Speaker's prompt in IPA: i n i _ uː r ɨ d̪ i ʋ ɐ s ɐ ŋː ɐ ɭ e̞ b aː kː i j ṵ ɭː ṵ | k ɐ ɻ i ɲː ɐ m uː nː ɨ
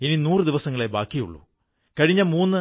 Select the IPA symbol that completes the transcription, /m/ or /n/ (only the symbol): n